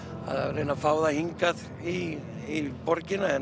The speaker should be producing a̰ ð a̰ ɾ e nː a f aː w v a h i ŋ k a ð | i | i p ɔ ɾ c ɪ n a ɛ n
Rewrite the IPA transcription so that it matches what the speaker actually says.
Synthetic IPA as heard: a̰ ð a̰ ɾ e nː a f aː w ð a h i ŋ k a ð | i | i p ɔ ɾ c ɪ n a ɛ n